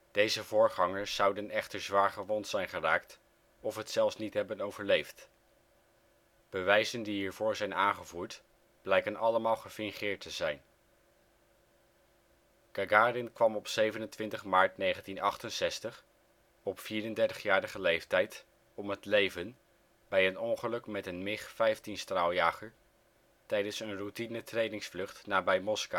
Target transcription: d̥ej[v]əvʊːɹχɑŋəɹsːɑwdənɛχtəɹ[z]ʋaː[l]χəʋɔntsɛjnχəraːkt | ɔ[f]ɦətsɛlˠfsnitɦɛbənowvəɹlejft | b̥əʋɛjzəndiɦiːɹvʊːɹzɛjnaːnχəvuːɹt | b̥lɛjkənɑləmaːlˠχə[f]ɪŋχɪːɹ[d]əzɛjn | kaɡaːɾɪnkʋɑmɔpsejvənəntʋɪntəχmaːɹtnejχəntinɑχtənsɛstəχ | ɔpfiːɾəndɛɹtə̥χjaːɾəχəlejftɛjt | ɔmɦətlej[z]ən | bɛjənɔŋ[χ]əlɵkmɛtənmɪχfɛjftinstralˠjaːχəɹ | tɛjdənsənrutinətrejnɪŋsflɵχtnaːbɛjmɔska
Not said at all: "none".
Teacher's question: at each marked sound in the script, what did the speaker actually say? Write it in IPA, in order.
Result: z, z, ɹ, f, f, t, v, χ

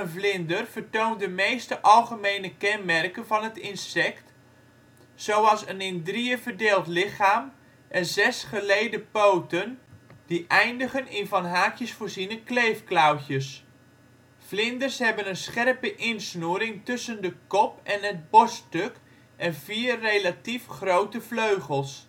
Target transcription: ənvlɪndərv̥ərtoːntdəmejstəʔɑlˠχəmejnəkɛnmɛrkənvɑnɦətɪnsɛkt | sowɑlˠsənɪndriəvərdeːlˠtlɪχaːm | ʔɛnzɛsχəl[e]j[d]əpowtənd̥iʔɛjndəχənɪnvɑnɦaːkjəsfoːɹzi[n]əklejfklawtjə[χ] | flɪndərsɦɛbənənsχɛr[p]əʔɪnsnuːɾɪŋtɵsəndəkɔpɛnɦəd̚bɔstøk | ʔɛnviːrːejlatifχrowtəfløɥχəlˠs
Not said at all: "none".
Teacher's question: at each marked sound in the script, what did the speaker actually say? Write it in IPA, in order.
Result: e, d, n, s, p

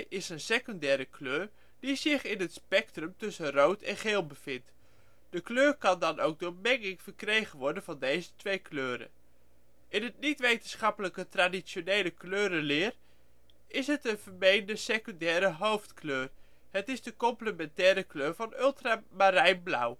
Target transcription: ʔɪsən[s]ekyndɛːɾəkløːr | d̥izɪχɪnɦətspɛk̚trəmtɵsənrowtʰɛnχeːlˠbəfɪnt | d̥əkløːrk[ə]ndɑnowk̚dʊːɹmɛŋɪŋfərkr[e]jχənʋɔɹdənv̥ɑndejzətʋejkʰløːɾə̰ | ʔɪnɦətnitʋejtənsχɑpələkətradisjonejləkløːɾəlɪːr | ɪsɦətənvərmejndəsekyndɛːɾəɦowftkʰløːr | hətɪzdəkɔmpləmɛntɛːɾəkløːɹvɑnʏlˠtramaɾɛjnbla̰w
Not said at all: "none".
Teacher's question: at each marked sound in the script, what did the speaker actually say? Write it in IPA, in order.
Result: s, ɑ, e

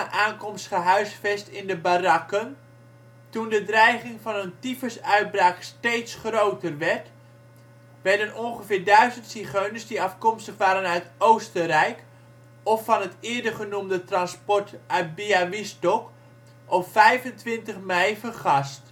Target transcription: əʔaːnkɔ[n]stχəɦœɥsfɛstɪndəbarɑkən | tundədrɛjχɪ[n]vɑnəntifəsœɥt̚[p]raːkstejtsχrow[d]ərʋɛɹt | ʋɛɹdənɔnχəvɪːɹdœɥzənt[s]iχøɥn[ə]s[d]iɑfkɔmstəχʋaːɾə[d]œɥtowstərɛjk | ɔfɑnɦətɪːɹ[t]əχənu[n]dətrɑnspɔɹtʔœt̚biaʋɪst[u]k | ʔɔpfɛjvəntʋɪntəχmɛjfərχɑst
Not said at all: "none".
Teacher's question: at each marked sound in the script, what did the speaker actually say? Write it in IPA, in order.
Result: m, ŋ, b, t, s, ə, d, n, d, m, ɔ

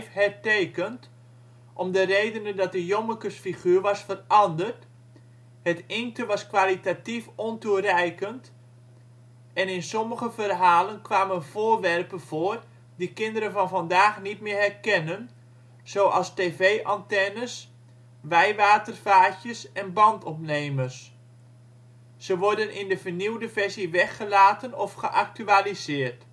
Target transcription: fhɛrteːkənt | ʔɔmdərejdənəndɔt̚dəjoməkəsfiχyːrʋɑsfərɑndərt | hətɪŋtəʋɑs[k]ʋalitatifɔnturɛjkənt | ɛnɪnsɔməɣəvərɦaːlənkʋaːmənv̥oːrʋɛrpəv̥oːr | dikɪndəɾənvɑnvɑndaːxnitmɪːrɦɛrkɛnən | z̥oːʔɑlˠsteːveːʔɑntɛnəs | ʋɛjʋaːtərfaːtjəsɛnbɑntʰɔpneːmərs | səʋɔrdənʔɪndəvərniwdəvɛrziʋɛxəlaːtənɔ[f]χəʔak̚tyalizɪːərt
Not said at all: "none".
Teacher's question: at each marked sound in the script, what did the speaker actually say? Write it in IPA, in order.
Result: k, f

